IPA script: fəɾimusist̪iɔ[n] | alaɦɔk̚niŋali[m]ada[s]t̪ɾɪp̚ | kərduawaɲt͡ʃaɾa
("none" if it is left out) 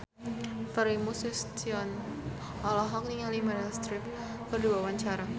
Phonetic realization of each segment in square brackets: n, m, s

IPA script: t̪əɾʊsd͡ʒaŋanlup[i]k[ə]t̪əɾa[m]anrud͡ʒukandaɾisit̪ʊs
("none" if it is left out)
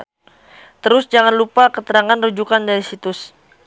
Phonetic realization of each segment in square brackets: a, ə, ŋ

